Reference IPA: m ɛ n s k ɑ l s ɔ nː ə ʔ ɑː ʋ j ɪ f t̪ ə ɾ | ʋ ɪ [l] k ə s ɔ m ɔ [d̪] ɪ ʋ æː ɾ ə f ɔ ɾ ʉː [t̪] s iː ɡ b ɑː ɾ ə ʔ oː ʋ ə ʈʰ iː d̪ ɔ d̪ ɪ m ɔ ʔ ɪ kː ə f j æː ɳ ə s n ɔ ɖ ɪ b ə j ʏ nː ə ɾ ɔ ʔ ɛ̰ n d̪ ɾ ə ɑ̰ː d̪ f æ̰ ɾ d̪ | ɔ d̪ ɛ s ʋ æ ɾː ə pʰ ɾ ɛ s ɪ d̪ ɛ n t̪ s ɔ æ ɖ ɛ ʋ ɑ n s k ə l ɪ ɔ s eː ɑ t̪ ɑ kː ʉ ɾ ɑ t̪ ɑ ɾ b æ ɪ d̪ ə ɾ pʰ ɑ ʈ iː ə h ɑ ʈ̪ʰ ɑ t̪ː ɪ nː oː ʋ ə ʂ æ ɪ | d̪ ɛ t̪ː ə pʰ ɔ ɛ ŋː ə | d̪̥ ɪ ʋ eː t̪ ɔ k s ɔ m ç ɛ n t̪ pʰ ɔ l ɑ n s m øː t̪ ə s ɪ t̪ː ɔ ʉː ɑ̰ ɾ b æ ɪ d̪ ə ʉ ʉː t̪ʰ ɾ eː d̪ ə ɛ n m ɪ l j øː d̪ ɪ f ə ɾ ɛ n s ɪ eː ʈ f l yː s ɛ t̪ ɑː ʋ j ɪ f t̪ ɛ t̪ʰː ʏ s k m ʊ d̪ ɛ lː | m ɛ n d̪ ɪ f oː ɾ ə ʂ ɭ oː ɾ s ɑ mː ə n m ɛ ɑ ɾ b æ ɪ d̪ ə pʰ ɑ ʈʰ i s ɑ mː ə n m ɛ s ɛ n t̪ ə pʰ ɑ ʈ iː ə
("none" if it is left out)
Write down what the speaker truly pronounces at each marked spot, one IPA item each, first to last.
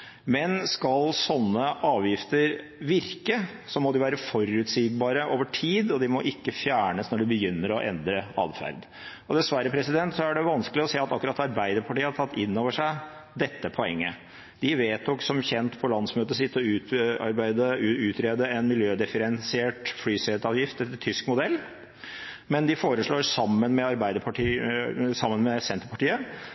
ɾ, d̪, t̪

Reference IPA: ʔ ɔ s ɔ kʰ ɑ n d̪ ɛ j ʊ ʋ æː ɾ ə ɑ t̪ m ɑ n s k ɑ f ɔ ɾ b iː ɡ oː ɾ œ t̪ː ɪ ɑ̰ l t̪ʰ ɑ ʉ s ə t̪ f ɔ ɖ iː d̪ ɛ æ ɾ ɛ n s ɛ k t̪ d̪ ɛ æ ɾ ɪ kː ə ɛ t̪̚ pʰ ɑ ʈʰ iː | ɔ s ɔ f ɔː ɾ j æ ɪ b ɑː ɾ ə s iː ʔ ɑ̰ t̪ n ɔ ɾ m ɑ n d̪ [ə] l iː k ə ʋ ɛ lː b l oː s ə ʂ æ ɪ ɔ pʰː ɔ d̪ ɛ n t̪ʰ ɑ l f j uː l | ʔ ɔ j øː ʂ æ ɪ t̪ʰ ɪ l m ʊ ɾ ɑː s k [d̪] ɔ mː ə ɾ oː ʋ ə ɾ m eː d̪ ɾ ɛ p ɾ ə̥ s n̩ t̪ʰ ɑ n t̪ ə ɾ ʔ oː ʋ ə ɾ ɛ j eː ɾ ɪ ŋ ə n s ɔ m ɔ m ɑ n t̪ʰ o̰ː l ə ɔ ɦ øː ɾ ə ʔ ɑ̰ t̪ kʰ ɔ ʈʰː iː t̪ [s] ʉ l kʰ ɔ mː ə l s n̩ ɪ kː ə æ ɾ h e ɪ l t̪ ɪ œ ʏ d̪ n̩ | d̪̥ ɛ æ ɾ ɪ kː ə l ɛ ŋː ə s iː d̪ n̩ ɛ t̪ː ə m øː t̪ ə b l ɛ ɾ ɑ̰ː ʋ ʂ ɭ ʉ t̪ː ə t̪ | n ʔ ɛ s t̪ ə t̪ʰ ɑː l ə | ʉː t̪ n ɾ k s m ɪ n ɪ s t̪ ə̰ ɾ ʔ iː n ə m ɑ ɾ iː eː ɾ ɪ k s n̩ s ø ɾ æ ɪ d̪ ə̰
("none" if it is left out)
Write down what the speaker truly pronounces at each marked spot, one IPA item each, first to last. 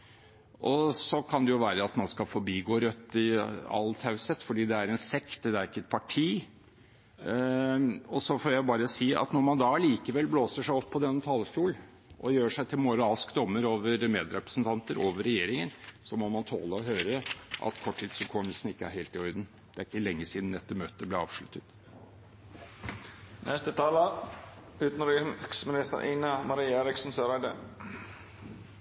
ɑ, d̪, s

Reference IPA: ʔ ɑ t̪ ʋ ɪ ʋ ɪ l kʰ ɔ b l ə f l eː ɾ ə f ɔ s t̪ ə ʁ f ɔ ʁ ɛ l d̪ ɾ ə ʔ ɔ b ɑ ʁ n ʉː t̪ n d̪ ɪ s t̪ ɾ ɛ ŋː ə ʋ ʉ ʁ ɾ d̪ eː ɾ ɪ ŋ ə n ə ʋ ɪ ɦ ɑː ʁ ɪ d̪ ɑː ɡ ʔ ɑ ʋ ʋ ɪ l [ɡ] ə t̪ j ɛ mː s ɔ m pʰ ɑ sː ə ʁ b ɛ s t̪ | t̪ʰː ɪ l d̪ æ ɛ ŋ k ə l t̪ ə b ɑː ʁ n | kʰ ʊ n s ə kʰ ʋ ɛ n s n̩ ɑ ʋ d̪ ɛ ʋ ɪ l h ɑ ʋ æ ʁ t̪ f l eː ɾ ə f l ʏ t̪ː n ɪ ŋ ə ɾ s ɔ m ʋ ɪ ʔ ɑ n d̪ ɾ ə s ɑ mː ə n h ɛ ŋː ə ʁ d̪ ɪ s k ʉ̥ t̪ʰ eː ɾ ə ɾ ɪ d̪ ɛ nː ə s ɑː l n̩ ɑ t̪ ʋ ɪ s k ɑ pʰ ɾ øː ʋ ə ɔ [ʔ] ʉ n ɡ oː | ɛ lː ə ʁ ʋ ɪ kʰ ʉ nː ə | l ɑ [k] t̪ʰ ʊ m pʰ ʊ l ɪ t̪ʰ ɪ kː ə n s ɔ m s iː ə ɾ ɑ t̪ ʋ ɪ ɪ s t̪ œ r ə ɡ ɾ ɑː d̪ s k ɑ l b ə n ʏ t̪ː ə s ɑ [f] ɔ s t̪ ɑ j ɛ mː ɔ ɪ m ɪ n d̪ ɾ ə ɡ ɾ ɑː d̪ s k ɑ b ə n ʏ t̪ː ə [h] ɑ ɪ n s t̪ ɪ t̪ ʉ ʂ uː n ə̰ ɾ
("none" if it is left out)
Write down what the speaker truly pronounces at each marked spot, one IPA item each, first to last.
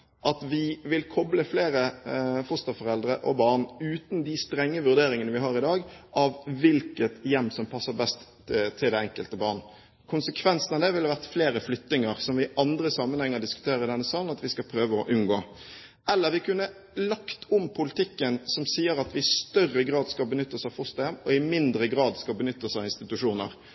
k, ʔ, k, f, s

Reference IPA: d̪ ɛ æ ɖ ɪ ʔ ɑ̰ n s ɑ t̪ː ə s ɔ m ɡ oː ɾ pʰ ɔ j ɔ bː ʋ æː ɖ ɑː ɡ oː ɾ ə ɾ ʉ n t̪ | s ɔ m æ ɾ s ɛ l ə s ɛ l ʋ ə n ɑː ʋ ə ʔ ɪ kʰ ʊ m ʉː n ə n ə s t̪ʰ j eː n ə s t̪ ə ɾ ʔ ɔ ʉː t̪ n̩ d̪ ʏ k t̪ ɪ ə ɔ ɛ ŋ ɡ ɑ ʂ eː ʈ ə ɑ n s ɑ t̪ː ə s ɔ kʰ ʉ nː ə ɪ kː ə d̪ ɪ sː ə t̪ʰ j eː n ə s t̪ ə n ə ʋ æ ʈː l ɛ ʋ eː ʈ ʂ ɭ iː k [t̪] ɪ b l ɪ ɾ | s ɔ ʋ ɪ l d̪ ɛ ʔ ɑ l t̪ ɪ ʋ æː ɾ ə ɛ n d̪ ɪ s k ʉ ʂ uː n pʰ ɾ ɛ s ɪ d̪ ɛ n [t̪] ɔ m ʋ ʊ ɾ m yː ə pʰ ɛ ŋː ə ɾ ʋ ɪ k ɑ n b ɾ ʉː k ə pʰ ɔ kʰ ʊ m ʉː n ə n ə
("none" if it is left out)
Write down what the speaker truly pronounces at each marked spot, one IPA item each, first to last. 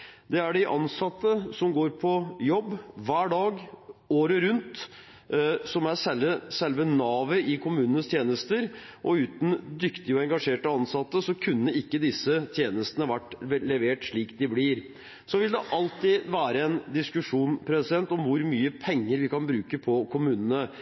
d̪, t̪

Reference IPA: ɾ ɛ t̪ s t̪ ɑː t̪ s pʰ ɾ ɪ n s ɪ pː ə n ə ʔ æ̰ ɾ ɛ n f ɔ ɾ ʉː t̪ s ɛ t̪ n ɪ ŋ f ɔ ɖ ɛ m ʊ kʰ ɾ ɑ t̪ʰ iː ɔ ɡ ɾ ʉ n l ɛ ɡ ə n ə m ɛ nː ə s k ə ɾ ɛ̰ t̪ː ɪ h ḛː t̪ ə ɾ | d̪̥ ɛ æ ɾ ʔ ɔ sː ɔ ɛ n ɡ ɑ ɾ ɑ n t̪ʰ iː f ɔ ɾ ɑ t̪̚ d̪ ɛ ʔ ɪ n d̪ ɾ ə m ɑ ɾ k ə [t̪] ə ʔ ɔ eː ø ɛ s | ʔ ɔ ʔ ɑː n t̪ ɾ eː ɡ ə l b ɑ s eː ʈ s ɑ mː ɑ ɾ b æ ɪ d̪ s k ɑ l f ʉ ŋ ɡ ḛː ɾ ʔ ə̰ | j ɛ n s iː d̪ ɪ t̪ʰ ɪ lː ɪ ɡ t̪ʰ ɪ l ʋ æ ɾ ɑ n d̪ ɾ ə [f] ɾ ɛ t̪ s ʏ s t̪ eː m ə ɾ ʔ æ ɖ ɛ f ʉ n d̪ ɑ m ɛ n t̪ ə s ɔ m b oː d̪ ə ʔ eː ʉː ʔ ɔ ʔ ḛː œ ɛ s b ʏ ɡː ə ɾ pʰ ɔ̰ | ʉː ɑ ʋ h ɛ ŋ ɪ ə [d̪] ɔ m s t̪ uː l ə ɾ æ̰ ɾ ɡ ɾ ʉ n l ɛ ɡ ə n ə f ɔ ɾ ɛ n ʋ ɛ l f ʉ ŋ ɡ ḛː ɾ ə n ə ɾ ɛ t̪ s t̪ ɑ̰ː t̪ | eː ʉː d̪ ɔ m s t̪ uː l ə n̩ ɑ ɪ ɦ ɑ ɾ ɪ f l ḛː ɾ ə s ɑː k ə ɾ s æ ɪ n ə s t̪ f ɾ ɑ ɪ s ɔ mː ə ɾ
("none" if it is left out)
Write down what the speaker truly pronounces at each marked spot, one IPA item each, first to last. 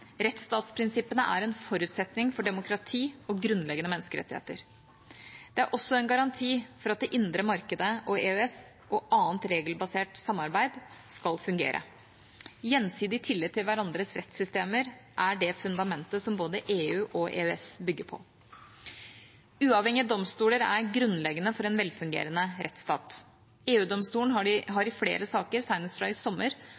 d̪, s, d̪

